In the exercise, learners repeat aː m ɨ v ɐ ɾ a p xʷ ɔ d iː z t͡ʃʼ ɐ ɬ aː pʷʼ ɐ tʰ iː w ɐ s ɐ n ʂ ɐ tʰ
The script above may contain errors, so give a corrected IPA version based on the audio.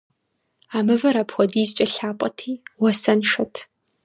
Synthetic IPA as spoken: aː m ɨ v ɐ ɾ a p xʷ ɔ d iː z t͡ʃʼ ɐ ɬ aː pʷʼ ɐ tʰ iː w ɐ s ɐ n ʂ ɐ tʰ